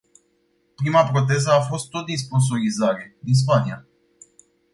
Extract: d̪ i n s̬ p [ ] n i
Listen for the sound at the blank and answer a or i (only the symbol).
a